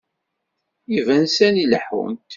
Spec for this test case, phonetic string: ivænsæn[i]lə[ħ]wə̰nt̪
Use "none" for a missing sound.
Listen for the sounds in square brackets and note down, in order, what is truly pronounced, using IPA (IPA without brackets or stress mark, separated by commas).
i, ħ